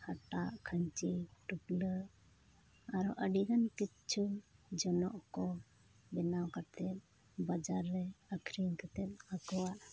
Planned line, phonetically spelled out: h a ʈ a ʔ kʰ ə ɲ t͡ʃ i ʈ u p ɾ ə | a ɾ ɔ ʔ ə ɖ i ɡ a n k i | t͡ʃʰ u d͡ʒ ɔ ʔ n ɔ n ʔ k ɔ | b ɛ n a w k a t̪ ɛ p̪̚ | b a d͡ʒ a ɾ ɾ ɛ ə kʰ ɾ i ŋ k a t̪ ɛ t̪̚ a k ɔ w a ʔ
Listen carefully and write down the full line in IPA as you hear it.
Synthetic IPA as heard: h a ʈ a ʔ kʰ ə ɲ t͡ʃ i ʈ u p l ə | a ɾ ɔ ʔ ə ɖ i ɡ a n k i | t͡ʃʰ u d͡ʒ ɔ n ɔ ʔ k ɔ | b ɛ n a w k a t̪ ɛ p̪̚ | b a d͡ʒ a ɾ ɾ ɛ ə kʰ ɾ i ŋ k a t̪ ɛ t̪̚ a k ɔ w a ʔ